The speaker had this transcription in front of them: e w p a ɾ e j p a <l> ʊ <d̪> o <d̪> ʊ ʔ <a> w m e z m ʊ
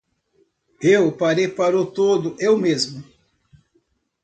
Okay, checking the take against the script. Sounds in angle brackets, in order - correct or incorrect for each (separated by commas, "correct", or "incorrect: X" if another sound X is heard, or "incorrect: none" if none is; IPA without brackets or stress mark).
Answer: incorrect: ɾ, incorrect: t̪, correct, incorrect: e